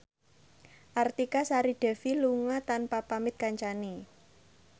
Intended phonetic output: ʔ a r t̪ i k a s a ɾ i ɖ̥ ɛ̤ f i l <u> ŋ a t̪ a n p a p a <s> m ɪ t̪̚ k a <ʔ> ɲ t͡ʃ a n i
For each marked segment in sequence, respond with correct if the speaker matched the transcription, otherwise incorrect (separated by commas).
correct, incorrect, incorrect